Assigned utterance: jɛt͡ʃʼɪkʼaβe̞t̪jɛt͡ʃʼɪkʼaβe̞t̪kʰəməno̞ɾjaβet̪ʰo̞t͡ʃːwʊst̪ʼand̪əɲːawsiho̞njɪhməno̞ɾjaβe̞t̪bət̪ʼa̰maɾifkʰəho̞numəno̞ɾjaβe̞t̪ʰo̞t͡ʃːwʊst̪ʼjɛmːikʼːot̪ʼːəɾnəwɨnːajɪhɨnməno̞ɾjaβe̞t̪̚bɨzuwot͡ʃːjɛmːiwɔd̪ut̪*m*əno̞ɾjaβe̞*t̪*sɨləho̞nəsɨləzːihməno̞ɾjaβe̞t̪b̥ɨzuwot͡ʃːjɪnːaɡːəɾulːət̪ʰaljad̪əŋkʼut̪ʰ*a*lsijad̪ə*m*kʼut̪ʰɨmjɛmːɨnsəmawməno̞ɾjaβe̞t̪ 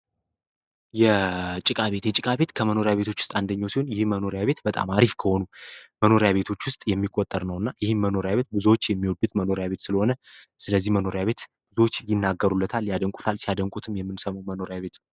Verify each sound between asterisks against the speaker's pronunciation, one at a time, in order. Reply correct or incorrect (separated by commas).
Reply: correct, correct, correct, incorrect